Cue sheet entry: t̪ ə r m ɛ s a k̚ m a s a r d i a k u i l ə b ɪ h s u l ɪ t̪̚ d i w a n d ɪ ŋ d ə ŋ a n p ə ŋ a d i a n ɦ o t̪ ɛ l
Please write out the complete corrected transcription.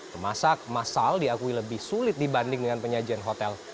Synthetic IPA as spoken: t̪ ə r m a s a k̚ m a s a l d i a k u i l ə b ɪ h s u l ɪ t̪̚ d i b a n d ɪ ŋ d ə ŋ a n p ə ɲ a d͡ʒ i a n ɦ o t̪ ɛ l